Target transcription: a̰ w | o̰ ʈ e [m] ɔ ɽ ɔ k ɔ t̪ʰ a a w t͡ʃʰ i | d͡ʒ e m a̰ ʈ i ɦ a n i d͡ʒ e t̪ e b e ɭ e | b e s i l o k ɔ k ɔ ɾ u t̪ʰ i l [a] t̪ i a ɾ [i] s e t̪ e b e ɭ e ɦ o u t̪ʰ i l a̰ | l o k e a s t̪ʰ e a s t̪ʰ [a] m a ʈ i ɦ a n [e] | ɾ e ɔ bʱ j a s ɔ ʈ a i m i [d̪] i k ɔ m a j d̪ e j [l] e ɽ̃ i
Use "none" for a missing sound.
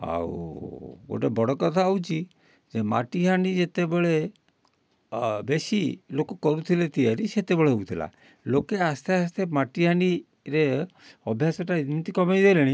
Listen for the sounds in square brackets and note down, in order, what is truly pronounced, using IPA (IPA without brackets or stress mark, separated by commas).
b, e, i, e, i, t̪, l